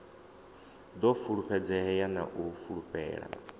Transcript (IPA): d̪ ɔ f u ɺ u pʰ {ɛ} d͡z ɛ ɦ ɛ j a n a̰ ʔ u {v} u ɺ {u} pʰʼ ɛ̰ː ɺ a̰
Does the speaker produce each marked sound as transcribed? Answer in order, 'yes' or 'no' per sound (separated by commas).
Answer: yes, no, yes